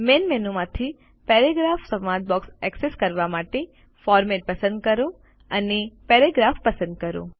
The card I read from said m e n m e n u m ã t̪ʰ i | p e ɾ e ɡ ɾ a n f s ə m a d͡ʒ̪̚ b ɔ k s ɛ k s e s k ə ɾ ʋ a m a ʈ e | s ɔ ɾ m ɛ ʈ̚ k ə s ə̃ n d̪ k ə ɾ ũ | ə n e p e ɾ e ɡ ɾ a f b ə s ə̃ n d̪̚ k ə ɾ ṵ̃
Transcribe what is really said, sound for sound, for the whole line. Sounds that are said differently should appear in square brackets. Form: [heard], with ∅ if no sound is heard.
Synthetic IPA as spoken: m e n m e n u m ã t̪ʰ i | p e ɾ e ɡ ɾ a [∅] f s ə m a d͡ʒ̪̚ b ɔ k s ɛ k s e s k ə ɾ ʋ a m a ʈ e | [f] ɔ ɾ m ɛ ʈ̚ [p] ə s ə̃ n d̪ k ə ɾ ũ | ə n e p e ɾ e ɡ ɾ a f [p] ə s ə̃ n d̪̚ k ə ɾ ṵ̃